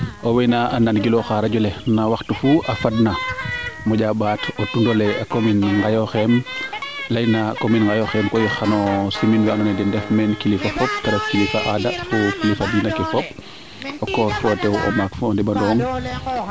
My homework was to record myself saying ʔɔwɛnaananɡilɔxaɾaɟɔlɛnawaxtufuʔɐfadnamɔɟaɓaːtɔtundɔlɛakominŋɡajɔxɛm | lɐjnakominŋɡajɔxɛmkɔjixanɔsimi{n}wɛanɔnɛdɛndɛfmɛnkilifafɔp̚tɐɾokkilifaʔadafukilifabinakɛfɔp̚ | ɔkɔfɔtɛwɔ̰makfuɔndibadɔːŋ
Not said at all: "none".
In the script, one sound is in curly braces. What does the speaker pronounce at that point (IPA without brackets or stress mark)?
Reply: n